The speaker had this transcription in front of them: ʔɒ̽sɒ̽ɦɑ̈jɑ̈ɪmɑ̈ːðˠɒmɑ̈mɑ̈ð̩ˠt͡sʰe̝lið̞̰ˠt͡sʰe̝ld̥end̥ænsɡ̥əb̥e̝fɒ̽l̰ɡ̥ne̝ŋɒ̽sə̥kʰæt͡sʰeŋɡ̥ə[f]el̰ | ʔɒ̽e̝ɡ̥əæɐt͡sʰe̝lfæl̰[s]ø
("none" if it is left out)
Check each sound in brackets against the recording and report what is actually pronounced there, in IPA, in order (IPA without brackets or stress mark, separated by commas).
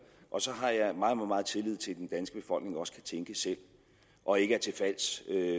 s, s